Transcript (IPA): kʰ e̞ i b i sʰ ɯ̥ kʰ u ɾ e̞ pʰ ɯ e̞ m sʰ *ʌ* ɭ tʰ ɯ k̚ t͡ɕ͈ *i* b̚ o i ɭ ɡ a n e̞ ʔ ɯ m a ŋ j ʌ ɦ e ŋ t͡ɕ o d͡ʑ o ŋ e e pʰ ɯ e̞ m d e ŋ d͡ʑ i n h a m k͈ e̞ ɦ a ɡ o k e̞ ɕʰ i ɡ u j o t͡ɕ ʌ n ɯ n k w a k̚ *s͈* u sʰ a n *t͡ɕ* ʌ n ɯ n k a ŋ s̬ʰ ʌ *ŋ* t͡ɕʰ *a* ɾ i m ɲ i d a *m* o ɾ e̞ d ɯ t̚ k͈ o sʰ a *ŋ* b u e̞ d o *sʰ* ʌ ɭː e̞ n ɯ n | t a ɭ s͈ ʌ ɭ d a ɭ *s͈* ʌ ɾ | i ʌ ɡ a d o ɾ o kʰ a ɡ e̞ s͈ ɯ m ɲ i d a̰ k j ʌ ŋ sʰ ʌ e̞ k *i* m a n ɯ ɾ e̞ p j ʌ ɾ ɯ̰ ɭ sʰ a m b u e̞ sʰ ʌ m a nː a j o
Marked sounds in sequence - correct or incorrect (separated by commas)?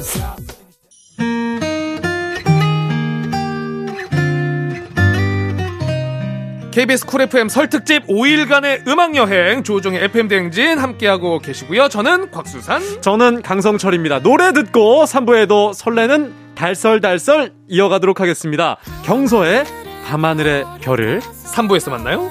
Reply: correct, correct, correct, correct, correct, incorrect, incorrect, incorrect, correct, correct, incorrect